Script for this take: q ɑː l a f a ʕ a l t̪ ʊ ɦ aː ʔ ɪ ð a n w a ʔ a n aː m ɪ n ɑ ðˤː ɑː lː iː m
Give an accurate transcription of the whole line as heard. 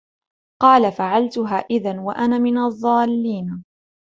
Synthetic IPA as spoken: q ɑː l a f a ʕ a l t̪ ʊ ɦ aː ʔ ɪ ð a n w a ʔ a n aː m ɪ n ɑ ðˤː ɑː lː iː n